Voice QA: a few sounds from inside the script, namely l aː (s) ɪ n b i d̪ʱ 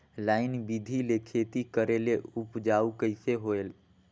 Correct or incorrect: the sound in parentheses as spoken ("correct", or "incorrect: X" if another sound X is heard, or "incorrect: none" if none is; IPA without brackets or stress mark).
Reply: incorrect: none